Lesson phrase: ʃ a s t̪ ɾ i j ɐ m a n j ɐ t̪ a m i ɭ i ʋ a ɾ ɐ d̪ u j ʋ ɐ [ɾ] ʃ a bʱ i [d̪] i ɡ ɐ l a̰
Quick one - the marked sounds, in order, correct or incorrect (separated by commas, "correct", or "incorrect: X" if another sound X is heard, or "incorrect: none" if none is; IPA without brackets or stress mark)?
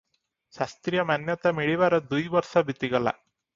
correct, incorrect: t̪